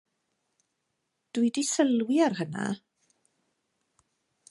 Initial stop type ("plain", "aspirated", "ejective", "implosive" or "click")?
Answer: plain